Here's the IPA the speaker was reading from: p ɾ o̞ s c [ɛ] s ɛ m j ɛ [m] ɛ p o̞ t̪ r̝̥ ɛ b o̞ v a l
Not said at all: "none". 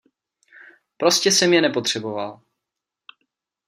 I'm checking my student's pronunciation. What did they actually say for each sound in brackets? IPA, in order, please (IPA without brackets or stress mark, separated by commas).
ɛ, n